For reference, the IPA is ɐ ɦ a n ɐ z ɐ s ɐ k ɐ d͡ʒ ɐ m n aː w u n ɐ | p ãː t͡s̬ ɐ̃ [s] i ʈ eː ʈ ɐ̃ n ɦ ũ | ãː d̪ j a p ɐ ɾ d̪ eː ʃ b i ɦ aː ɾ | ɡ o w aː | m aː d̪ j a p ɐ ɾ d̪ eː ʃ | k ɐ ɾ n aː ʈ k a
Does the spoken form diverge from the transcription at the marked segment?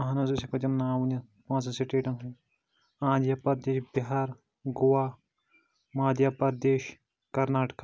no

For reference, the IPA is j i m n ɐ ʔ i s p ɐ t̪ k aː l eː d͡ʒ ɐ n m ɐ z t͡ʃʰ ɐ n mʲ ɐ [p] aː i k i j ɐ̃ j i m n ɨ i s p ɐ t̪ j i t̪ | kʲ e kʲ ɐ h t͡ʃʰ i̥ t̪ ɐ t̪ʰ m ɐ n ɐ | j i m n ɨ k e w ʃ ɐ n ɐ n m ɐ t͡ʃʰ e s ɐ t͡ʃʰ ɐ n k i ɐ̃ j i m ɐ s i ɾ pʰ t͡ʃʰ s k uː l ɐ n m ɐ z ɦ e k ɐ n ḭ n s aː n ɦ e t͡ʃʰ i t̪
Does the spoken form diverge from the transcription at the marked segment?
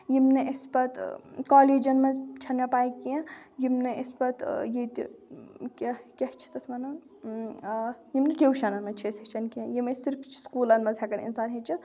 no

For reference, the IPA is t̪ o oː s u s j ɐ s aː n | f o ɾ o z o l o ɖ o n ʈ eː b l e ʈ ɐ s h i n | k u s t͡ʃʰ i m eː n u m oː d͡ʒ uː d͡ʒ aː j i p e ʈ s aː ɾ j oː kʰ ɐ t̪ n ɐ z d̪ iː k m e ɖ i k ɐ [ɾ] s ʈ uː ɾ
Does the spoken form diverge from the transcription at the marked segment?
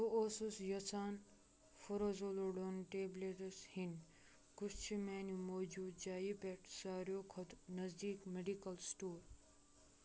yes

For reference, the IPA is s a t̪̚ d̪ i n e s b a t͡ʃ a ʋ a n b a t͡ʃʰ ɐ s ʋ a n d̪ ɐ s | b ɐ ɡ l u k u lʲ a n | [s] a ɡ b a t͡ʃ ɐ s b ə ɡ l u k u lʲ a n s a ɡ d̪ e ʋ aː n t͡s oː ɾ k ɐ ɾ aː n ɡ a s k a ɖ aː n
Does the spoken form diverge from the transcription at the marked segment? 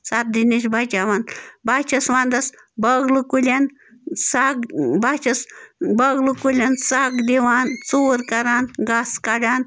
no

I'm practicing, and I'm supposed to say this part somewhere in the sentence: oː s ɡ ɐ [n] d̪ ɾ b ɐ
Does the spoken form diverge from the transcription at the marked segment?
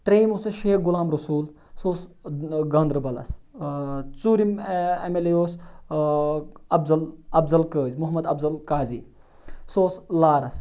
no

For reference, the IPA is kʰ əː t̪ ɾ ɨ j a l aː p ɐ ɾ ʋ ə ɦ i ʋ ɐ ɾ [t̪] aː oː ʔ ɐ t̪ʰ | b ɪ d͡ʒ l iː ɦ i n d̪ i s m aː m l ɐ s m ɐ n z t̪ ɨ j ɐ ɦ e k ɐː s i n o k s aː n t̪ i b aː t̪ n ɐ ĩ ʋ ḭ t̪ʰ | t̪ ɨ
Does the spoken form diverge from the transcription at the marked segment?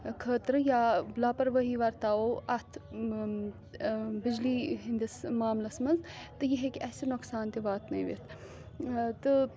no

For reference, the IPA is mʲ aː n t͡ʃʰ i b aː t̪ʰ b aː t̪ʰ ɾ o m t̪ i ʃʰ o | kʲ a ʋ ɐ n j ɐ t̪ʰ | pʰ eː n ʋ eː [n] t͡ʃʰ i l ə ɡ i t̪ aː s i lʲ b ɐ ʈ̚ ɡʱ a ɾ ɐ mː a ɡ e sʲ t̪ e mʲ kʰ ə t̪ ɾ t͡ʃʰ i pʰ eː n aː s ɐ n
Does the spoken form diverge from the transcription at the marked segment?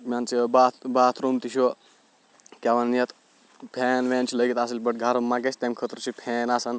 no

